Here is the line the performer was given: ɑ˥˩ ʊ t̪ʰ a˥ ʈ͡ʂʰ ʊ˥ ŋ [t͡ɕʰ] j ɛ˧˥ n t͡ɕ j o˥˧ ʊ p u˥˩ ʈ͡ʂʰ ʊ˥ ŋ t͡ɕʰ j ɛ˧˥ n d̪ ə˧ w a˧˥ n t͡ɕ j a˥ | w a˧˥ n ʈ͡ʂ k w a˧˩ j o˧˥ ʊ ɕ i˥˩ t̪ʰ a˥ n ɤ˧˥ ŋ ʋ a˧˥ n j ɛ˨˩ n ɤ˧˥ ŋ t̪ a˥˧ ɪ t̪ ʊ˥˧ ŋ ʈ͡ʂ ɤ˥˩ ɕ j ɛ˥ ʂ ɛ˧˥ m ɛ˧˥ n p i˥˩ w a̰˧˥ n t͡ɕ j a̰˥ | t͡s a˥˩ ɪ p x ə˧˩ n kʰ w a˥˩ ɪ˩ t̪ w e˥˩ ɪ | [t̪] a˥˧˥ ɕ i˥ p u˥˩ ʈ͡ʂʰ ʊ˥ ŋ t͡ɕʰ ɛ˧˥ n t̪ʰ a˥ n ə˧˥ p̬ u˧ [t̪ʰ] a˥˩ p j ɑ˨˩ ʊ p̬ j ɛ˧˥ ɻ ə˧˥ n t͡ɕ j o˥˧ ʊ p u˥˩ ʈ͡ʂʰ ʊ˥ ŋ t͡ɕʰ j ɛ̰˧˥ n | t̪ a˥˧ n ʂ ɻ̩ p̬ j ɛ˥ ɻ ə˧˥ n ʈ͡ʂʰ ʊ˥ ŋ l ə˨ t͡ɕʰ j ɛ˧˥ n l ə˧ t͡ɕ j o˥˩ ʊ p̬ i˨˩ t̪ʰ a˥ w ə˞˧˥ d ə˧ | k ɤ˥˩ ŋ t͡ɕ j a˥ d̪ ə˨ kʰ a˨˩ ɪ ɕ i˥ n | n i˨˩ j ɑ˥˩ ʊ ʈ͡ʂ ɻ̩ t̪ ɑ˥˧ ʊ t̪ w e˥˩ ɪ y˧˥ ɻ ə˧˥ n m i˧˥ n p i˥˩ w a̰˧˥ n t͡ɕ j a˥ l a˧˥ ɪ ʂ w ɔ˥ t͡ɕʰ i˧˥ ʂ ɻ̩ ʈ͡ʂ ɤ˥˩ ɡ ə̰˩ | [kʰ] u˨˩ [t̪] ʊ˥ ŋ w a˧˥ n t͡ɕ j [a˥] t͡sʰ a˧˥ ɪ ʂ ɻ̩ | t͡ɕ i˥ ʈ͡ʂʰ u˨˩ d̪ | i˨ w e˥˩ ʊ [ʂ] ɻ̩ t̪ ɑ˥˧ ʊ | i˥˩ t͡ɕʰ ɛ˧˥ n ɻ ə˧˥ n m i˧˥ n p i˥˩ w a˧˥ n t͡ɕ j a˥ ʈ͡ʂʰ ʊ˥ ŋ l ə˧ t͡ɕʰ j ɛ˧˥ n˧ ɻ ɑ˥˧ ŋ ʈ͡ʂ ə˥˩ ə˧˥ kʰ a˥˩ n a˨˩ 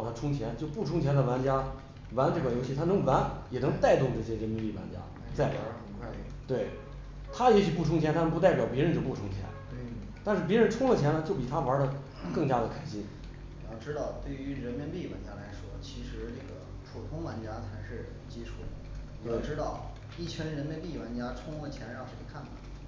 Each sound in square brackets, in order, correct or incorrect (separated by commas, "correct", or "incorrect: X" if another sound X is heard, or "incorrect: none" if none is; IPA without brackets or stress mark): correct, incorrect: t̪ʰ, incorrect: t̪, incorrect: pʰ, incorrect: t̪ʰ, correct, incorrect: ʈ͡ʂ